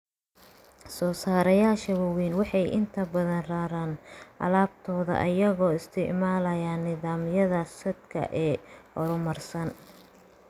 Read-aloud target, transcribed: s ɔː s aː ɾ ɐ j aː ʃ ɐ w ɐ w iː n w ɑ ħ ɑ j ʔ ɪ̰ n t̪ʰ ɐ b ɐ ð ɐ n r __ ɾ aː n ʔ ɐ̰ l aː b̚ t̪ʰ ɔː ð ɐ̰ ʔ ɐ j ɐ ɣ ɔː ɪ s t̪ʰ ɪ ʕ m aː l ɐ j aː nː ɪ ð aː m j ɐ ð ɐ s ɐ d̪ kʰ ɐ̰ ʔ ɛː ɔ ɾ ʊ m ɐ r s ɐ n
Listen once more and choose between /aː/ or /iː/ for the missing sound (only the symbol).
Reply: aː